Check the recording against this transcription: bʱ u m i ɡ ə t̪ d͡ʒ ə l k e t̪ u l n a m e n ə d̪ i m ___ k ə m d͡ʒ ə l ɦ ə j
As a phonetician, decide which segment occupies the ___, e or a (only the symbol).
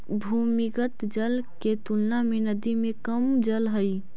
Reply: e